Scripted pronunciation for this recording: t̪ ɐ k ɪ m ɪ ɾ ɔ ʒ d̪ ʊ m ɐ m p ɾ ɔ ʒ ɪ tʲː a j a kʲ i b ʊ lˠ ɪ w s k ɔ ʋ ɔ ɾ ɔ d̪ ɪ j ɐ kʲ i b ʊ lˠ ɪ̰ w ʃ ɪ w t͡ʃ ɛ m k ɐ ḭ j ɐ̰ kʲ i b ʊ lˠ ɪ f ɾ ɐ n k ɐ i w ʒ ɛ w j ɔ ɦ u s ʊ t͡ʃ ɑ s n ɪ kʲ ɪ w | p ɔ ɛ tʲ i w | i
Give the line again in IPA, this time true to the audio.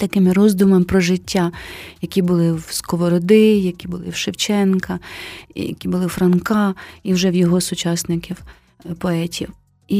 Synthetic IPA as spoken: t̪ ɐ k ɪ m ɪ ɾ ɔ z d̪ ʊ m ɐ m p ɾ ɔ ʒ ɪ tʲː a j ɐ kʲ i b ʊ lˠ ɪ w s k ɔ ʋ ɔ ɾ ɔ d̪ ɪ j ɐ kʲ i b ʊ lˠ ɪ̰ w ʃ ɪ w t͡ʃ ɛ n k ɐ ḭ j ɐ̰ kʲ i b ʊ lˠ ɪ f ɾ ɐ n k ɑ i w ʒ ɛ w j ɔ ɦ ɔ s ʊ t͡ʃ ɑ s n ɪ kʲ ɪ w | p ɔ ɛ tʲ i w | i